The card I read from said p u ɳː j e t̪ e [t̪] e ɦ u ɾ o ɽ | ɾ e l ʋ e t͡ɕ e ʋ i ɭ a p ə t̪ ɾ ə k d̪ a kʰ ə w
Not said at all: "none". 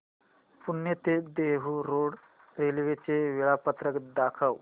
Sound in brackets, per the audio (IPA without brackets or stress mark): d̪